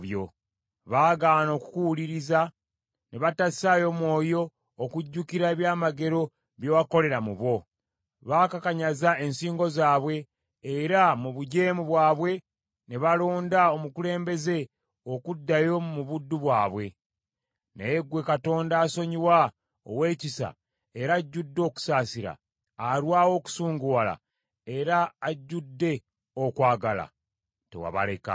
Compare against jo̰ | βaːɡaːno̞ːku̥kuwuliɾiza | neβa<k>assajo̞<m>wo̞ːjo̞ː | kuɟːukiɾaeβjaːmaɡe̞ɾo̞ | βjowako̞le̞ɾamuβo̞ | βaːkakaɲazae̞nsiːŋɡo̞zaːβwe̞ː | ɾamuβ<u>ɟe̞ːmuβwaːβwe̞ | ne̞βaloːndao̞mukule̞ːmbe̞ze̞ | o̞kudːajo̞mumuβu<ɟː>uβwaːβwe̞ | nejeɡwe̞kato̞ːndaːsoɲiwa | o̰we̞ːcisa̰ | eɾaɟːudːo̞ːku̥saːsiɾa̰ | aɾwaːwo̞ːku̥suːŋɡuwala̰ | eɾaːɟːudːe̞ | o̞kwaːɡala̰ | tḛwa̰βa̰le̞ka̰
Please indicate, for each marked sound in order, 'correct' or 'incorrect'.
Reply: incorrect, correct, correct, incorrect

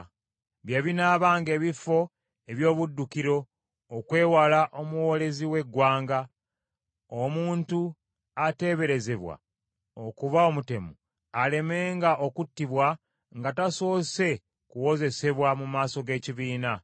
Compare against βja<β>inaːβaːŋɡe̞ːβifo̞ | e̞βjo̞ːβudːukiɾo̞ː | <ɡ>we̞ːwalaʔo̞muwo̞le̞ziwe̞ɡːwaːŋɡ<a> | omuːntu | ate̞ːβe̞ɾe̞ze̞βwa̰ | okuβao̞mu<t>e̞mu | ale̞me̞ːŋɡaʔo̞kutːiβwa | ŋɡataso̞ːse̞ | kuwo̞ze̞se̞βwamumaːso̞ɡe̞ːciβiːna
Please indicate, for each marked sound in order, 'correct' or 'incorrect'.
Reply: correct, incorrect, correct, correct

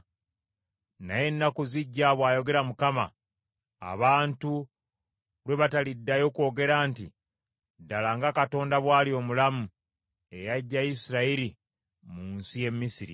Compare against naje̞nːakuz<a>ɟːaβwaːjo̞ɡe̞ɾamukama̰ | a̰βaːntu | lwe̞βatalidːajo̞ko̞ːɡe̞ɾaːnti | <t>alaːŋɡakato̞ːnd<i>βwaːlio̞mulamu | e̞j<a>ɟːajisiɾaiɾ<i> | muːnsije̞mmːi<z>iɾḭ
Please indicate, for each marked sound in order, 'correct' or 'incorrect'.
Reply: incorrect, incorrect, incorrect, correct, correct, incorrect

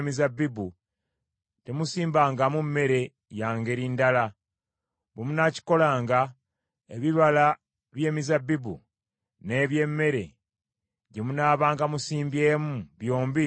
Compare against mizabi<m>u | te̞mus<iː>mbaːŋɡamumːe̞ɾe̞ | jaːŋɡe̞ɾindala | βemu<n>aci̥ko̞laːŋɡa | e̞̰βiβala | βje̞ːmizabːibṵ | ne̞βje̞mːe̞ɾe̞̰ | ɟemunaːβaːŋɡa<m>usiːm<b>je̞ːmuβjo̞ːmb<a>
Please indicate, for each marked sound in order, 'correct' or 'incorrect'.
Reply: incorrect, correct, correct, correct, correct, incorrect

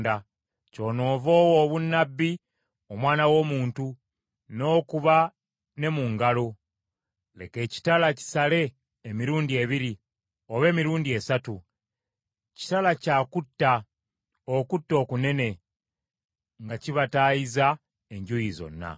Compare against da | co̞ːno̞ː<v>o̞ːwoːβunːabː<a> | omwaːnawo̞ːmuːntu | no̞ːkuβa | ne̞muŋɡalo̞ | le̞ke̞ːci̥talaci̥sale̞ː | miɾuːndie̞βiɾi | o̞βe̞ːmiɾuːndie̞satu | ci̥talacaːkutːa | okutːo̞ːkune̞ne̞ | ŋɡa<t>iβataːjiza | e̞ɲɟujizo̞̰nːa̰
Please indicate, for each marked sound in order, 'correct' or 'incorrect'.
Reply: correct, incorrect, incorrect

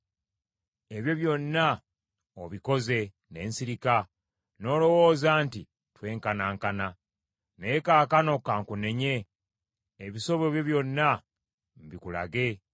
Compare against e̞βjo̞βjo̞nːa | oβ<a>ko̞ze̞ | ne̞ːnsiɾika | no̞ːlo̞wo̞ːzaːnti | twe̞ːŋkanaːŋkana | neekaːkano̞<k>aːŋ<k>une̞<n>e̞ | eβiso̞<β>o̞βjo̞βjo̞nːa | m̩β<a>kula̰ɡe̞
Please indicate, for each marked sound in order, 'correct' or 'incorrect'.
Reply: incorrect, correct, correct, incorrect, correct, incorrect

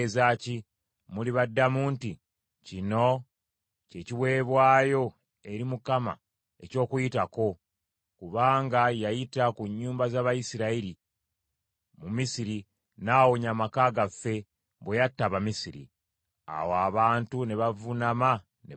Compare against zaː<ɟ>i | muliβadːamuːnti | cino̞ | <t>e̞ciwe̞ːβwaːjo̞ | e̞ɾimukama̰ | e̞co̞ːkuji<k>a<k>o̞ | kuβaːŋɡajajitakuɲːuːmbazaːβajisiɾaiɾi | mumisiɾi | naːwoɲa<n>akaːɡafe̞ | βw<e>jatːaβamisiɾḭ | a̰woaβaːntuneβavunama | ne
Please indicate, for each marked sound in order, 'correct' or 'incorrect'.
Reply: incorrect, incorrect, incorrect, correct, incorrect, correct

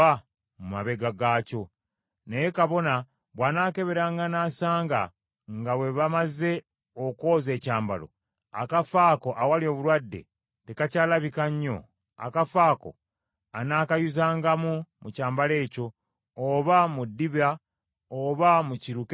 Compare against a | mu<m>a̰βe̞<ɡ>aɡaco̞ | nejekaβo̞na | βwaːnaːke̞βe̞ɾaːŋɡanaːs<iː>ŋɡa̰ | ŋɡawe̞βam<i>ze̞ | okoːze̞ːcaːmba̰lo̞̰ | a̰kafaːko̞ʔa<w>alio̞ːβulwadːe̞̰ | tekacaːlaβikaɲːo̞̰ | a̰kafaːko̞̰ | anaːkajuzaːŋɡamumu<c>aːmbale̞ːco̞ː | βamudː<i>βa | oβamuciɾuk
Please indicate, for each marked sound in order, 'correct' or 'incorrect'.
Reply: correct, correct, incorrect, incorrect, correct, correct, correct

